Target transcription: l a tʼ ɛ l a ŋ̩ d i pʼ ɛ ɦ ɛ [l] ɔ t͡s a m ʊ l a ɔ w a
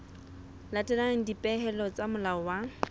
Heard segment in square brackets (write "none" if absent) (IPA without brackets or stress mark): l